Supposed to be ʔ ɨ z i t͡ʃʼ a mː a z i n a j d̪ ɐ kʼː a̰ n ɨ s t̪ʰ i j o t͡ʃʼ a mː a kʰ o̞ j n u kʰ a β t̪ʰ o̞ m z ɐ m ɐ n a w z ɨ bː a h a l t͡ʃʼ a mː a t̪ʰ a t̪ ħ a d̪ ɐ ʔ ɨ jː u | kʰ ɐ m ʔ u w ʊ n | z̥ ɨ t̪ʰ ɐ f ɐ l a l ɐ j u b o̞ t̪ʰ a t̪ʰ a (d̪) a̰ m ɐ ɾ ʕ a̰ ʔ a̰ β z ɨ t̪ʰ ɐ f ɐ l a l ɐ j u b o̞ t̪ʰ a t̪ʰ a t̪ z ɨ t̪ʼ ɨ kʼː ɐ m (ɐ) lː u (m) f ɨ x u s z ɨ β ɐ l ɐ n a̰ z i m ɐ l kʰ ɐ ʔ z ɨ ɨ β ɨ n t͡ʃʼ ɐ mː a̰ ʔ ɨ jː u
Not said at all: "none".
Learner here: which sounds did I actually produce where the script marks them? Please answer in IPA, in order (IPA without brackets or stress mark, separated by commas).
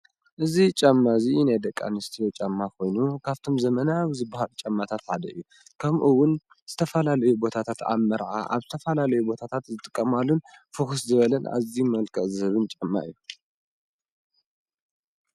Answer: t̪, a, n